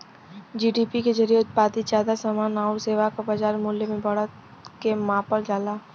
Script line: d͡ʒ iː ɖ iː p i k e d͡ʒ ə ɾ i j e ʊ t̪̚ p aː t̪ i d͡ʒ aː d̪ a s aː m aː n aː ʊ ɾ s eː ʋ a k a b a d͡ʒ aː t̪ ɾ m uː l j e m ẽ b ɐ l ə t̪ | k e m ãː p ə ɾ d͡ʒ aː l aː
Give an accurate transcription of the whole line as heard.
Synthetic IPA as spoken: d͡ʒ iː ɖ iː p i k e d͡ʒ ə ɾ i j e ʊ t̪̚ p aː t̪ i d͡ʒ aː d̪ a s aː m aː n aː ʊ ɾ s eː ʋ a k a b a d͡ʒ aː ɾ m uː l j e m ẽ b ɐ ɽ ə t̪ | k e m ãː p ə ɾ d͡ʒ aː l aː